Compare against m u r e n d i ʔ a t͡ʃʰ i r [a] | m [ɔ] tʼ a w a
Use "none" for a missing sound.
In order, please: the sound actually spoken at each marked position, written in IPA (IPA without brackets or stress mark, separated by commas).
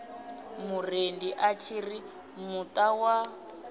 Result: i, u